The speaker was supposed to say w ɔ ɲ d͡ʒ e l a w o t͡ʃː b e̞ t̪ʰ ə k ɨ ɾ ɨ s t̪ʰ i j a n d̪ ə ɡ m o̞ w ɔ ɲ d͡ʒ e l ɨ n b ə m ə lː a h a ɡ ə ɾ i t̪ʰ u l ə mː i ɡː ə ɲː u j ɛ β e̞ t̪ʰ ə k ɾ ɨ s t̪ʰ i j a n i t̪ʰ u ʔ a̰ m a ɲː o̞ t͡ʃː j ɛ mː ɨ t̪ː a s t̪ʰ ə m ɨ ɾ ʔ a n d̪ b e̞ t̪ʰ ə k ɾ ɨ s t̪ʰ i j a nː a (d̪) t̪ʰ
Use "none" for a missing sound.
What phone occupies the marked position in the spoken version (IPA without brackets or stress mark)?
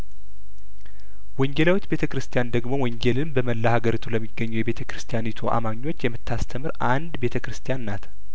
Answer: none